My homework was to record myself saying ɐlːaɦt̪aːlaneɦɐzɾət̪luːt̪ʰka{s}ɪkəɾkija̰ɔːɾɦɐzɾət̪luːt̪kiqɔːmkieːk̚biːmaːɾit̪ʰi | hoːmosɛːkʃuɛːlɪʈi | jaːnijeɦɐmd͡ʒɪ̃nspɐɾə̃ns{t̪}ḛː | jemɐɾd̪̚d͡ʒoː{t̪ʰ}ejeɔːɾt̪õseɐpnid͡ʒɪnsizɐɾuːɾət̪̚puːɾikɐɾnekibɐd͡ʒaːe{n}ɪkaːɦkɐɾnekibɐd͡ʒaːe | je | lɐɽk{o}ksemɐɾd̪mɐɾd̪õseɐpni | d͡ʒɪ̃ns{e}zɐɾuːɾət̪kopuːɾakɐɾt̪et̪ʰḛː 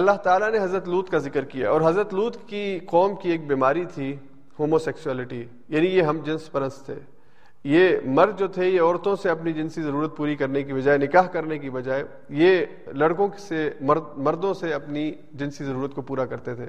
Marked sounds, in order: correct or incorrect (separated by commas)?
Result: incorrect, incorrect, correct, correct, incorrect, incorrect